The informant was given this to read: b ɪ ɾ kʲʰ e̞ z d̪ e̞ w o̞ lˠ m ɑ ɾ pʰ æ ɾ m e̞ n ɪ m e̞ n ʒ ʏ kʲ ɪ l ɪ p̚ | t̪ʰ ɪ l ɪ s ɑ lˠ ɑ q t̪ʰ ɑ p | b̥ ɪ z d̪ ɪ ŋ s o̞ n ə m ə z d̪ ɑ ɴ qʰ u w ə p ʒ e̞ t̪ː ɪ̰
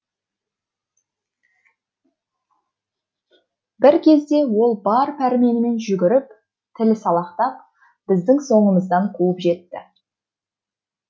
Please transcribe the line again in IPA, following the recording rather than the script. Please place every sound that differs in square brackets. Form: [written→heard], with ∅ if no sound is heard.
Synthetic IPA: b ɪ ɾ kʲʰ e̞ z d̪ e̞ w o̞ lˠ [m→b] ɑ ɾ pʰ æ ɾ m e̞ n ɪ m e̞ n ʒ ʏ [kʲ→ɡʲ] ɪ [l→ɾ] ɪ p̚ | t̪ʰ ɪ l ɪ s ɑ lˠ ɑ q [t̪ʰ→t̪] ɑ p | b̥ ɪ z d̪ ɪ ŋ s o̞ [n→ɴ] ə m ə z d̪ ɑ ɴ qʰ u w ə p ʒ e̞ t̪ː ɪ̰